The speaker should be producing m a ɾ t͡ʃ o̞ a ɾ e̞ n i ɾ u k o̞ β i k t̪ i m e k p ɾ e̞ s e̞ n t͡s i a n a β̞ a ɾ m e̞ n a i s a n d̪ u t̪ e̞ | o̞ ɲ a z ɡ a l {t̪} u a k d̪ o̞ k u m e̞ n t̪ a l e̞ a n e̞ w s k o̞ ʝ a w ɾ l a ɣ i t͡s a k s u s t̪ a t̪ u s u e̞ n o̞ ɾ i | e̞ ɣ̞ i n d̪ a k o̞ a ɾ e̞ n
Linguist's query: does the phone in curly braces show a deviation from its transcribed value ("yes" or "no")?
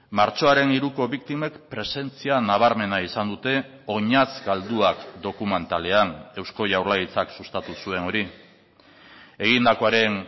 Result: yes